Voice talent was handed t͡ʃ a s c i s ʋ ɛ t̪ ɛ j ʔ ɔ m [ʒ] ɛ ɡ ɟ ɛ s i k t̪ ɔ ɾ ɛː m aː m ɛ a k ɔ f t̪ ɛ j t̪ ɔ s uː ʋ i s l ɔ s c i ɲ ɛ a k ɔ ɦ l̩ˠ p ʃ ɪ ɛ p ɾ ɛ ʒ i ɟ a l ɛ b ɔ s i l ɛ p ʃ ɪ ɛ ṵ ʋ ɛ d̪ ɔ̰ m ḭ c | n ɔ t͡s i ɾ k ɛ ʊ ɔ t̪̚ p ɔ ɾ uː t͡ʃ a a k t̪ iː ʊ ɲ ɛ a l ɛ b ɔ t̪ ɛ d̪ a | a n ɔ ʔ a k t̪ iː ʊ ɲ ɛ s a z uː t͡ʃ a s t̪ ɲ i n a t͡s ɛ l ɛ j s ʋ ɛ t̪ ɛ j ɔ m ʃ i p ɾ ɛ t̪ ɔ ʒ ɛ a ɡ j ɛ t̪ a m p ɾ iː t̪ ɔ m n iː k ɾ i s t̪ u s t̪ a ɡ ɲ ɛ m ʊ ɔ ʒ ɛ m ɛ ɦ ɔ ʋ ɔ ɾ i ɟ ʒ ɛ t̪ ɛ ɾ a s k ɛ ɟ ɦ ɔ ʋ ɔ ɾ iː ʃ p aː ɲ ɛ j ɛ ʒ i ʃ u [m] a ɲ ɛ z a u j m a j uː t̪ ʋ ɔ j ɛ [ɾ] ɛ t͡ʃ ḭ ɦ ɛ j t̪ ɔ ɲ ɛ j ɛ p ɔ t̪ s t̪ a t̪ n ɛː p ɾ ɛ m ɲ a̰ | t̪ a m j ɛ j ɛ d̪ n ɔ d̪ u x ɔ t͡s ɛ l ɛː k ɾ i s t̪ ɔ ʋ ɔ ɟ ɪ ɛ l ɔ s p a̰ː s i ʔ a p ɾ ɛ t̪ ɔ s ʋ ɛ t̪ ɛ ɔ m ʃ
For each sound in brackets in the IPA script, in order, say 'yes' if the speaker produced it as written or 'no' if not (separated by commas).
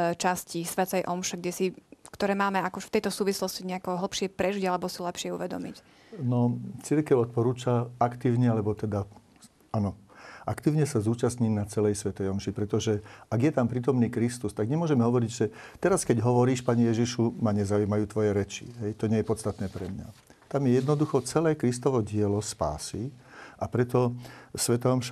no, yes, yes